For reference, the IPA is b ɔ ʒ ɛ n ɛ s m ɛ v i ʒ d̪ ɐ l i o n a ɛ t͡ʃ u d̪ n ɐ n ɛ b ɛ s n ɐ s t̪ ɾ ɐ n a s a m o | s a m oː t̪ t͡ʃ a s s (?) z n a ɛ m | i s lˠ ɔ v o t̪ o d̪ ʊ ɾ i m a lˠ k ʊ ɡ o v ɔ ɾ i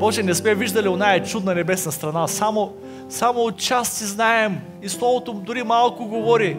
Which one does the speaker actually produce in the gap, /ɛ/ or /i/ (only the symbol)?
i